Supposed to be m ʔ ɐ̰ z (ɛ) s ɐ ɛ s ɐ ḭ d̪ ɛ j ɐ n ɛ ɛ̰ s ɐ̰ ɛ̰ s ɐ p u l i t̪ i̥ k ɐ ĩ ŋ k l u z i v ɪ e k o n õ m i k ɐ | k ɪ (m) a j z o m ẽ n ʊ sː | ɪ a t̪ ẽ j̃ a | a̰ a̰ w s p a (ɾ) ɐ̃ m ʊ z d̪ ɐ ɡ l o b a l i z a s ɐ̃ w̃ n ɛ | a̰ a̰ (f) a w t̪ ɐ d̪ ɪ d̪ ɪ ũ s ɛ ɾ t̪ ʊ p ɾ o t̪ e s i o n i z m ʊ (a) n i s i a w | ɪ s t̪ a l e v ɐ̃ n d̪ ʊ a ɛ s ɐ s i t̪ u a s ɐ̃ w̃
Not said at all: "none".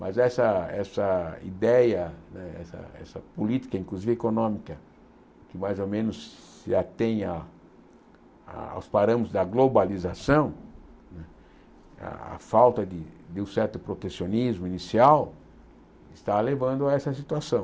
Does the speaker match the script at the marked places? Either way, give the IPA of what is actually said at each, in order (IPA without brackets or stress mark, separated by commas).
ɛ, m, ɾ, f, i